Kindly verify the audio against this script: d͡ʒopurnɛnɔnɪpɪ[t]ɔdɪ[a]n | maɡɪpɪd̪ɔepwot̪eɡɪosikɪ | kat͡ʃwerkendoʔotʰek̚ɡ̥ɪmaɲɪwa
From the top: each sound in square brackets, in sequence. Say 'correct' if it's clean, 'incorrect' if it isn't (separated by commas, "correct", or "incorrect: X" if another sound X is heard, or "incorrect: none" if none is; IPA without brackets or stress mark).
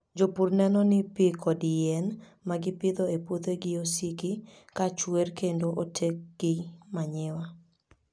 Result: incorrect: k, incorrect: ɛ